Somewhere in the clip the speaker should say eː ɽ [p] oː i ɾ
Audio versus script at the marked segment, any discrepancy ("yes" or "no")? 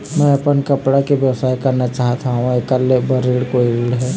yes